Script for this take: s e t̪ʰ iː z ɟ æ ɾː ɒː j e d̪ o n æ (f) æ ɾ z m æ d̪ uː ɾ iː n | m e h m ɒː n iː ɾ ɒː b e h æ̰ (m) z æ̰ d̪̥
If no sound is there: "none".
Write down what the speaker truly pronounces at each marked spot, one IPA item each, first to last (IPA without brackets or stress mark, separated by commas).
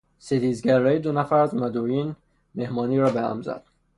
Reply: f, m